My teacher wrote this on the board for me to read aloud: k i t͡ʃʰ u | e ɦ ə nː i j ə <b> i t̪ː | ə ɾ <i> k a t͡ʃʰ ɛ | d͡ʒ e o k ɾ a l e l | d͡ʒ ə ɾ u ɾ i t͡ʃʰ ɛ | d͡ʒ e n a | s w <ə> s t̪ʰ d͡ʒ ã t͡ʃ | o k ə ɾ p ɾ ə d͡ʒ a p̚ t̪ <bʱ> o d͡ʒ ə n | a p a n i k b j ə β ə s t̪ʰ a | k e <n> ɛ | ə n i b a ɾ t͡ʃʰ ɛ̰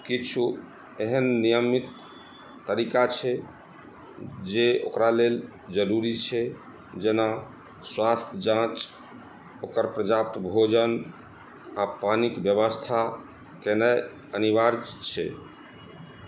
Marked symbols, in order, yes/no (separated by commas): no, yes, no, yes, yes